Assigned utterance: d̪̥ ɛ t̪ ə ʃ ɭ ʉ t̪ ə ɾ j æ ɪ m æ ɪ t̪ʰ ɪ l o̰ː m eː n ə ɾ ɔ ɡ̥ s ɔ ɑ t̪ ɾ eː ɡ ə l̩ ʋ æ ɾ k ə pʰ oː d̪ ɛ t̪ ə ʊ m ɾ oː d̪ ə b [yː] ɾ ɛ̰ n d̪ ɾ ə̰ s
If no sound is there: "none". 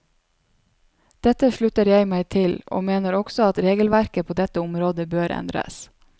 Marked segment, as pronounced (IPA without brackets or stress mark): øː